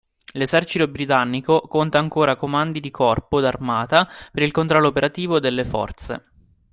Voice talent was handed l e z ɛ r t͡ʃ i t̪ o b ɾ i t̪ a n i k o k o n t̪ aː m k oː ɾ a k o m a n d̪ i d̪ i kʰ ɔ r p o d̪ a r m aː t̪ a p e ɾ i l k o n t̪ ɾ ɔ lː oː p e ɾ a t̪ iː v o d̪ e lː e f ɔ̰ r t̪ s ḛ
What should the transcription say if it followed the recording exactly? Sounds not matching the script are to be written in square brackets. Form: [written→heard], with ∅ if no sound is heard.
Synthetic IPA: l e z ɛ r t͡ʃ i t̪ o b ɾ i t̪ a [n→nː] i k o k o n t̪ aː [m→ŋ] k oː ɾ a k o m a n d̪ i d̪ i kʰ ɔ r p o d̪ a r m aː t̪ a p e ɾ i l k o n t̪ ɾ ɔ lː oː p e ɾ a t̪ iː v o d̪ e lː e f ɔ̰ r t̪ s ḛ